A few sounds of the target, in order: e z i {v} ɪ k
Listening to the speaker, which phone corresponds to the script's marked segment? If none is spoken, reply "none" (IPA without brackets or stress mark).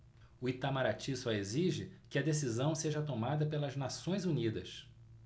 ʒ